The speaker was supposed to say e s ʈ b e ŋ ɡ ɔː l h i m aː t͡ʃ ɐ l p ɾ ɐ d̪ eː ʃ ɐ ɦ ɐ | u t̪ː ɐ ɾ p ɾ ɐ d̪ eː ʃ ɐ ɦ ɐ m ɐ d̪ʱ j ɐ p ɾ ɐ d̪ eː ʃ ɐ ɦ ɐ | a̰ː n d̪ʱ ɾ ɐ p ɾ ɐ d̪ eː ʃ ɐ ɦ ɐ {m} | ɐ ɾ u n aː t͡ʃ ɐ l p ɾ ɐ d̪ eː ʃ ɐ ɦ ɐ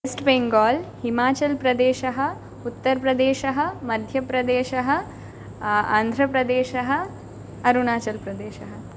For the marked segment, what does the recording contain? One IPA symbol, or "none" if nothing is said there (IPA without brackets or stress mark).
none